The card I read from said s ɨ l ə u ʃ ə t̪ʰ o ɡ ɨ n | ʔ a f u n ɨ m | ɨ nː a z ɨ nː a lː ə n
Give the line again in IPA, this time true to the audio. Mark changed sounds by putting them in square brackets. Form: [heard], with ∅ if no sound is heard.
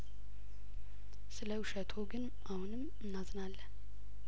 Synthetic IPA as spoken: s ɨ l ə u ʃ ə t̪ʰ o ɡ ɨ n | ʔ a [h] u n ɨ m | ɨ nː a z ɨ [n] a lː ə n